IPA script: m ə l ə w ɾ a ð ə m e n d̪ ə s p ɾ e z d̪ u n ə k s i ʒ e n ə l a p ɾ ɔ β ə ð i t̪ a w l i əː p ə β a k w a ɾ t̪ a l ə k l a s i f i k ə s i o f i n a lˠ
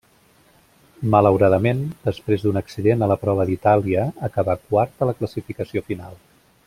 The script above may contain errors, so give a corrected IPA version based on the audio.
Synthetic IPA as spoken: m ə l ə w ɾ a ð ə m e n d̪ ə s p ɾ e z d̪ u n ə k s i ð e n ə l ə p ɾ ɔ β ə ð i t̪ a l i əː k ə β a k w a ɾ t̪ ə l ə k l ə s i f i k ə s i o f i n a lˠ